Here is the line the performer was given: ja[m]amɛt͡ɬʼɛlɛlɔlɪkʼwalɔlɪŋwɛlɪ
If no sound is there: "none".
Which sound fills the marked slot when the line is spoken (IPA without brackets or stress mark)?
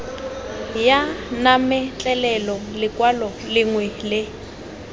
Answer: n